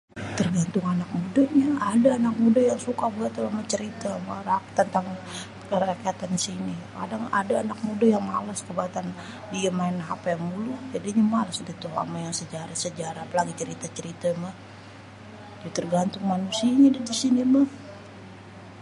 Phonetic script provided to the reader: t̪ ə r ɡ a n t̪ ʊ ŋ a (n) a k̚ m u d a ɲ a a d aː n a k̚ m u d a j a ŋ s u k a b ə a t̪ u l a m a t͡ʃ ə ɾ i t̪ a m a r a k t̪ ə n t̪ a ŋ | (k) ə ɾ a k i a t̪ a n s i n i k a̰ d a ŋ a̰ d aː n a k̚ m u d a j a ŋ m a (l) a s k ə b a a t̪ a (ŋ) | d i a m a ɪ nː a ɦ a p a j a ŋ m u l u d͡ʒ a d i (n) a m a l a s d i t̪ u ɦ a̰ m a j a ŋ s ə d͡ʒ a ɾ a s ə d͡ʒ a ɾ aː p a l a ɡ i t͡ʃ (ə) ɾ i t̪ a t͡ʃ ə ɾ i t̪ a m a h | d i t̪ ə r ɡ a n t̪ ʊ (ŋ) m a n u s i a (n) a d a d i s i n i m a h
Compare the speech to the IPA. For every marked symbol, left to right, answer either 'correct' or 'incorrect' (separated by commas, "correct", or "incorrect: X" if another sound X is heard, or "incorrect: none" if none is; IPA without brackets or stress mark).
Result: correct, correct, correct, incorrect: n, incorrect: ɲ, correct, correct, incorrect: ɲ